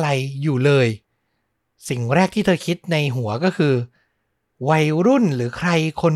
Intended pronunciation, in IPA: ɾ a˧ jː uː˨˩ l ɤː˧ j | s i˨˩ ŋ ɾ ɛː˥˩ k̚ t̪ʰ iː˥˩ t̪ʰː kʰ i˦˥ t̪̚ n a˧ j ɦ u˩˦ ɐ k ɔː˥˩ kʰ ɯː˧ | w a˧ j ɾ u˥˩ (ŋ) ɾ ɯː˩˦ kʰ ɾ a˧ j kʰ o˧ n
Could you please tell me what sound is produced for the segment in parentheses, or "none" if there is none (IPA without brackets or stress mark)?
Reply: n